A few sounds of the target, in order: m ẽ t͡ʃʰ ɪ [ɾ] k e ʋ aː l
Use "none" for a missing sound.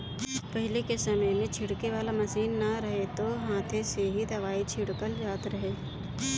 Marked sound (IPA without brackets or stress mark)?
ɽ